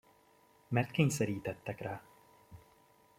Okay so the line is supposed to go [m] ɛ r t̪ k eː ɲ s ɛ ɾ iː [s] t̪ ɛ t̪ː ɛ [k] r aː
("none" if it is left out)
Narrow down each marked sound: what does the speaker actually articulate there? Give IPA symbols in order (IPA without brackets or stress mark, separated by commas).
m, none, k